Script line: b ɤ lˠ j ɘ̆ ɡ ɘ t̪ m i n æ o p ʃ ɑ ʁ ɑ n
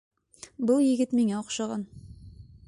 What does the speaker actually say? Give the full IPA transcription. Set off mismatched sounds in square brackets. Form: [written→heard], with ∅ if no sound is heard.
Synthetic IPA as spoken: b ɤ lˠ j ɘ̆ ɡ ɘ t̪ m i [n→ŋ] æ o [p→q] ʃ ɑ ʁ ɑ n